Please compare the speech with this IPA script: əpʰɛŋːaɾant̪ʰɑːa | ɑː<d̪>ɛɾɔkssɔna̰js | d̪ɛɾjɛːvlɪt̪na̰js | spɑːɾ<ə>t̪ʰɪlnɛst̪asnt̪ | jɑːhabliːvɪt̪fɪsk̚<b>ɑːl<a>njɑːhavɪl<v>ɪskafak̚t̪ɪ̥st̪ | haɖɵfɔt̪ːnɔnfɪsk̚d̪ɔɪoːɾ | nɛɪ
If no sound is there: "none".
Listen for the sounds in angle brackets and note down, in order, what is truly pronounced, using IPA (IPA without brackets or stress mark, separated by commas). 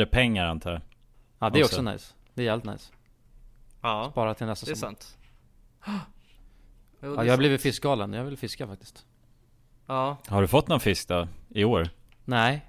d̪, a, ɡ, ə, f